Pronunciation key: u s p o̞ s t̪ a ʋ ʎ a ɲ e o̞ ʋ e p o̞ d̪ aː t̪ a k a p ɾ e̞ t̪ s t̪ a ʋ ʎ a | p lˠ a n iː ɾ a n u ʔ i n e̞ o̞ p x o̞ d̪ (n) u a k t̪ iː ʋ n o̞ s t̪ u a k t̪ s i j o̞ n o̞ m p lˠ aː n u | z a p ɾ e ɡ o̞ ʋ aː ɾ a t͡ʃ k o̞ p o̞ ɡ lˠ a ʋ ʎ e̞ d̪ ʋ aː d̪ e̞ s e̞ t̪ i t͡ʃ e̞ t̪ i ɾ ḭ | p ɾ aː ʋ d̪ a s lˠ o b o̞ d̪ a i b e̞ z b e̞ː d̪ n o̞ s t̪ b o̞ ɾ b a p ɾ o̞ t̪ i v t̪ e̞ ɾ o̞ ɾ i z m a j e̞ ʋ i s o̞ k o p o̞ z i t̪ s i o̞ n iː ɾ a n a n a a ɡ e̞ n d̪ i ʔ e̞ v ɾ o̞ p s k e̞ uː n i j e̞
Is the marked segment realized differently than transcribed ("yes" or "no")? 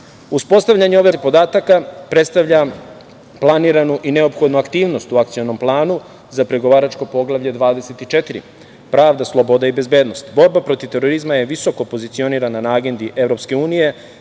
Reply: no